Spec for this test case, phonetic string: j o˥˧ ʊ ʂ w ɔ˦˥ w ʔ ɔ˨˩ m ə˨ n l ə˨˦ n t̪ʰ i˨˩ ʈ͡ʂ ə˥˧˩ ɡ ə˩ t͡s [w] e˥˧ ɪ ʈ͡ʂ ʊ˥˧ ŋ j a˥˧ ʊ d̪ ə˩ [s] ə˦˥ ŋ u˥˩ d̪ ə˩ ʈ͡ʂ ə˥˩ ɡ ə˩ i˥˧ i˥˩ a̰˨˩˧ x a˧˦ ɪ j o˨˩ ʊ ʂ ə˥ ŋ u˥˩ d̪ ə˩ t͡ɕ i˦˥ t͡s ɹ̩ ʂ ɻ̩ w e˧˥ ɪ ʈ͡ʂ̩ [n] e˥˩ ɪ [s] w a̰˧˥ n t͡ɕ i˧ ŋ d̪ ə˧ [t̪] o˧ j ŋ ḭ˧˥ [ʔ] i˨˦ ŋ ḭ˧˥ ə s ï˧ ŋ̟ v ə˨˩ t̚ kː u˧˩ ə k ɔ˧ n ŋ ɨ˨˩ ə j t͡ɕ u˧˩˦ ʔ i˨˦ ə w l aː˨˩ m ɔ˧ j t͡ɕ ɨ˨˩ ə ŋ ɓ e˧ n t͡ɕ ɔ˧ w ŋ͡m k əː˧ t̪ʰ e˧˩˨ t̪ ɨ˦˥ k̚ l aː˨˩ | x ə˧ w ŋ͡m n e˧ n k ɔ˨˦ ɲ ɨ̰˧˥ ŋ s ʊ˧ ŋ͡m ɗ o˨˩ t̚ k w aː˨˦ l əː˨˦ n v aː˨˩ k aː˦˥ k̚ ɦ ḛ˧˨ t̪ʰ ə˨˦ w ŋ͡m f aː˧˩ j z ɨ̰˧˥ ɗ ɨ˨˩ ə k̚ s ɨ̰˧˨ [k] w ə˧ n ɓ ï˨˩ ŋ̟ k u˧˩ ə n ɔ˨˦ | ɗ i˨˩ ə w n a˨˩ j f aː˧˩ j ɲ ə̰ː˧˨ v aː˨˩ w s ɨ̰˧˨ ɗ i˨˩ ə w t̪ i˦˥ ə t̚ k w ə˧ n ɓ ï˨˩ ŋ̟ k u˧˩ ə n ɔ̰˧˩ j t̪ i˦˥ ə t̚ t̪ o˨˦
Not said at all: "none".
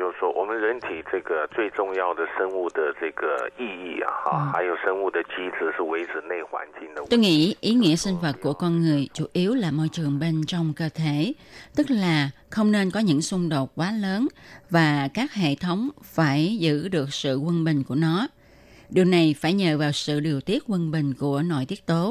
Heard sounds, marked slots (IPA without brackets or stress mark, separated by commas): w, ʂ, n, x, t̪, ʔ, k